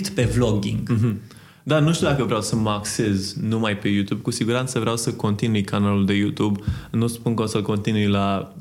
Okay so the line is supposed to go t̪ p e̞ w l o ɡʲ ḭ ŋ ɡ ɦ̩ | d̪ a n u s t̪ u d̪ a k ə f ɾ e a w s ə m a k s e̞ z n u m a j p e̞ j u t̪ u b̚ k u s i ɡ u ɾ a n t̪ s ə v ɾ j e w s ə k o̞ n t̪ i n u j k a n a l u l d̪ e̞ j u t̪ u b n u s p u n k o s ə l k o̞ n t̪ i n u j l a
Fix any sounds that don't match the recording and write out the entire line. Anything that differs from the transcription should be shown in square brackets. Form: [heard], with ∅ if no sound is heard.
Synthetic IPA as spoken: t̪ p e̞ [v] l o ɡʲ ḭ ŋ ɡ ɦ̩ | d̪ a n u [ʃ] t̪ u d̪ a k ə [v] ɾ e a w s ə m a k s e̞ z n u m a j p e̞ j u t̪ u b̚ k u s i ɡ u ɾ a n t̪ s ə v ɾ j [a] w s ə k o̞ n t̪ i n u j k a n a l u l d̪ e̞ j u t̪ u b n u s p u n k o s ə l k o̞ n t̪ i n u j l a